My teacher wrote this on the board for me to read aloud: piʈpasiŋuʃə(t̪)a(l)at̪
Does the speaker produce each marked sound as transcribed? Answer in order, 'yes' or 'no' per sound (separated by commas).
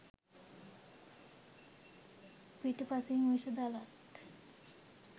no, yes